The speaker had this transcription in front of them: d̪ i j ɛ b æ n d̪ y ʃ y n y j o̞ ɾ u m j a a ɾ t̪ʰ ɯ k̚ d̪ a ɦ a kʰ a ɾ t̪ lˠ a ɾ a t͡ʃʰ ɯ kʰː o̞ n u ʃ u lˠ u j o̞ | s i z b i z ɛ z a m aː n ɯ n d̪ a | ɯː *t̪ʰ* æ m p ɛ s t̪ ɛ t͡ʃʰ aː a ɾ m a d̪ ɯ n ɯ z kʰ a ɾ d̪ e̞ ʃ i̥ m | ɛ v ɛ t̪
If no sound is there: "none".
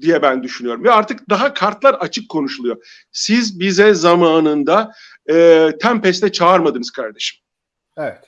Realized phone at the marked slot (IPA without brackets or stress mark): t̪ʰ